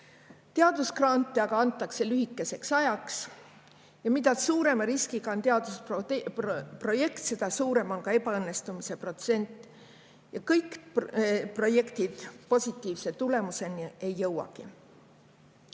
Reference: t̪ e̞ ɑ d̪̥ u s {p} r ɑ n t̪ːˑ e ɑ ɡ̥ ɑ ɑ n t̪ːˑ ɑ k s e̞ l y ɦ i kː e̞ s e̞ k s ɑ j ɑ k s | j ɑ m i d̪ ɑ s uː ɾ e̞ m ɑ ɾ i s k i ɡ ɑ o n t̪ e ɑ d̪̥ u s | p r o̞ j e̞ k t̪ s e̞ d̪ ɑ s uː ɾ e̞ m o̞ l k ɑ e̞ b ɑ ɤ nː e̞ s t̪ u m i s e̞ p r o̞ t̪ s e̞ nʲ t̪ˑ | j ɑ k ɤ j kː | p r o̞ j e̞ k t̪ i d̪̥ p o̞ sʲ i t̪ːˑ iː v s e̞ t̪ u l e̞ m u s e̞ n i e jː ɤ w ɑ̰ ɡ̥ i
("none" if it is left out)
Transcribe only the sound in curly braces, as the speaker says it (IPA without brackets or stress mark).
k